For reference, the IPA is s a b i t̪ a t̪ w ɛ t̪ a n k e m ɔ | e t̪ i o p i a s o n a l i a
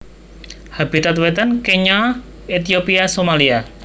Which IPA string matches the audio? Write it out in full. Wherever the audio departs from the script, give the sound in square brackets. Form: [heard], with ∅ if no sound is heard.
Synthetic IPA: [h] a b i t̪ a t̪ w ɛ t̪ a n k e [ɲ] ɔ | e t̪ i o p i a s o [m] a l i a